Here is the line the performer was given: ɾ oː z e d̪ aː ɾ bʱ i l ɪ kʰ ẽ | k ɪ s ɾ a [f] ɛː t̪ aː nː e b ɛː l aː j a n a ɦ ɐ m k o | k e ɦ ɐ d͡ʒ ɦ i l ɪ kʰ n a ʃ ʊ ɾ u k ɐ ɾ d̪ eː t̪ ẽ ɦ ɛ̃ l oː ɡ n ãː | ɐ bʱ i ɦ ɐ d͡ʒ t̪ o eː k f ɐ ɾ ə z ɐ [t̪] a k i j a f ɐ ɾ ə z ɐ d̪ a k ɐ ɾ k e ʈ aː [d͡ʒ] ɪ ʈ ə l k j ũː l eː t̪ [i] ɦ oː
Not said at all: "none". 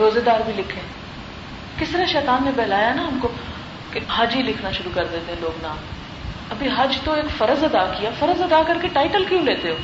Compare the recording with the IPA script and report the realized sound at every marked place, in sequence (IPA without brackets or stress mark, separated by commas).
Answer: ʃ, d̪, none, e